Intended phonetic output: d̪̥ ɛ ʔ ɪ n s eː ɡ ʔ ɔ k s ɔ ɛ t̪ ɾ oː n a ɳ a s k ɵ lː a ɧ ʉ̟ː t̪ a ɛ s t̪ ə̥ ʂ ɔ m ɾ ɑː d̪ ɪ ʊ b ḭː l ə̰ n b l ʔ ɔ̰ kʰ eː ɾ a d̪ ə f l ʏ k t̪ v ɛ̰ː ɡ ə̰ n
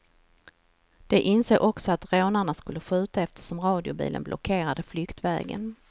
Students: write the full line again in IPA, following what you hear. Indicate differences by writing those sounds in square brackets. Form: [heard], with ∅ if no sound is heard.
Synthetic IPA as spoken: d̪̥ ɛ ʔ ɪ n s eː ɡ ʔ ɔ k s ɔ [a] t̪ ɾ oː n a ɳ a s k ɵ lː [ə] ɧ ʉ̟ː t̪ a ɛ [f] t̪ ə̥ ʂ ɔ m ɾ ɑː d̪ ɪ ʊ b ḭː l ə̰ n b l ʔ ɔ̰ kʰ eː ɾ a d̪ ə f l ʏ k t̪ v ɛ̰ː ɡ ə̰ n